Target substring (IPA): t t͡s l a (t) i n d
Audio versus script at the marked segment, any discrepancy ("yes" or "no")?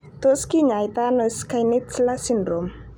yes